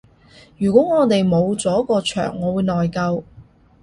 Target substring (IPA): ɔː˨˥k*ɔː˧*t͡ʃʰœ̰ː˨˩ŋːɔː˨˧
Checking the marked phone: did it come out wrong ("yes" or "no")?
no